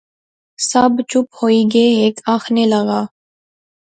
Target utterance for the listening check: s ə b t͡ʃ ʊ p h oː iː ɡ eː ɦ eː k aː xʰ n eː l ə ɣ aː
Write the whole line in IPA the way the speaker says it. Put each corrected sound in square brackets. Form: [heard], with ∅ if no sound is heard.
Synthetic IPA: s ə b t͡ʃ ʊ p h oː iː ɡ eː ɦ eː k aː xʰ n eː l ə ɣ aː

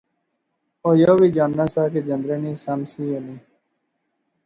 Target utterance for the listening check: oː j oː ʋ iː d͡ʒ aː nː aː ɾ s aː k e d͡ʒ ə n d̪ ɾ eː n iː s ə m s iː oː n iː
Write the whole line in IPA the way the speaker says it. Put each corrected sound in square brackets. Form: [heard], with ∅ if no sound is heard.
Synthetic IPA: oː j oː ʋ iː d͡ʒ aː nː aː [∅] s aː k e d͡ʒ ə n d̪ ɾ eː n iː s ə m s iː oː n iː

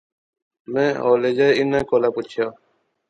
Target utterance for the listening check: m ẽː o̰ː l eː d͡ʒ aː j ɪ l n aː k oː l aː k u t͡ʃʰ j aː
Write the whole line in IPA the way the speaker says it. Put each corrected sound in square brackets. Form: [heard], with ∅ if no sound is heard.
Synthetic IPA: m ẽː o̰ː l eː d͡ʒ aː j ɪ [∅] n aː k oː l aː [p] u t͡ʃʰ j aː

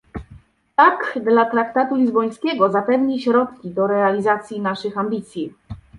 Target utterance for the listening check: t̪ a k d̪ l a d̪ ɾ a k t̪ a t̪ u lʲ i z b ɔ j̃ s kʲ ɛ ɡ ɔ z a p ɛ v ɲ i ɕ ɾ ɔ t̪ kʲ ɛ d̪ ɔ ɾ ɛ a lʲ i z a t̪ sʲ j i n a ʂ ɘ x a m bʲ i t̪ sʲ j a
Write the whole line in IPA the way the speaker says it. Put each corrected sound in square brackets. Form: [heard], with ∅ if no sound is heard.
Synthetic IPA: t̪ a k d̪ l a [t̪] ɾ a k t̪ a t̪ u lʲ i z b ɔ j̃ s kʲ ɛ ɡ ɔ z a p ɛ v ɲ i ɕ ɾ ɔ t̪ kʲ [i] d̪ ɔ ɾ ɛ a lʲ i z a t̪ sʲ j i n a ʂ ɘ x a m bʲ i t̪ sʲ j [i]

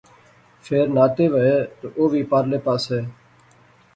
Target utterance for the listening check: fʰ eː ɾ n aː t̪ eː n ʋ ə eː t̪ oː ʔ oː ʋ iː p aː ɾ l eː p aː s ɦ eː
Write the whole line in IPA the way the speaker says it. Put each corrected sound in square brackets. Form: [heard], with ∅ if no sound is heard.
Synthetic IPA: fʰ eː ɾ n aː t̪ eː [∅] ʋ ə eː t̪ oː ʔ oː ʋ iː p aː ɾ l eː p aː s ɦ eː

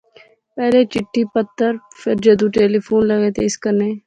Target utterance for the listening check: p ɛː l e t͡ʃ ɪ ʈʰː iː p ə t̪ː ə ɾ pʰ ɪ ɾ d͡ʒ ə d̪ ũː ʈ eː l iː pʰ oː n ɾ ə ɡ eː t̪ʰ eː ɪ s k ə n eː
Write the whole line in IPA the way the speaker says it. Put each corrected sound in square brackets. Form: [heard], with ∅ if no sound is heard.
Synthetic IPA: p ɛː l e t͡ʃ ɪ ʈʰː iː p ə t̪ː ə ɾ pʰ ɪ ɾ d͡ʒ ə d̪ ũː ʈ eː l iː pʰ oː n [l] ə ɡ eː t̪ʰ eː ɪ s k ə n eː

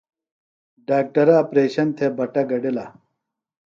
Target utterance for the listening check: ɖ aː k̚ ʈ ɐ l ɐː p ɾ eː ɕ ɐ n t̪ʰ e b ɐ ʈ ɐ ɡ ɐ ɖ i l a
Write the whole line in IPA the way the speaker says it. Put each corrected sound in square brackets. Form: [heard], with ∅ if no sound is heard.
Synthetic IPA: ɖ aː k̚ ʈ ɐ [ɾ] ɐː p ɾ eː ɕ ɐ n t̪ʰ e b ɐ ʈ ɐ ɡ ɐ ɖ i l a

